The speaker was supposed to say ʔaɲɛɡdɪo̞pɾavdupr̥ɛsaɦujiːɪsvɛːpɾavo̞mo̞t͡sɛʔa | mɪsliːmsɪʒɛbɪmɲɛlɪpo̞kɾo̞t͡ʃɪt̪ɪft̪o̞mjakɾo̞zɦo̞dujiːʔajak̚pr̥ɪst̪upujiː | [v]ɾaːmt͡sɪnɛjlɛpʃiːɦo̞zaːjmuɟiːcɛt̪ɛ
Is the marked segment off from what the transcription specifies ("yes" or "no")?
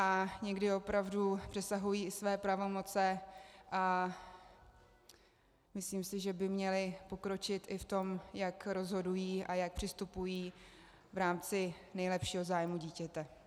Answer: no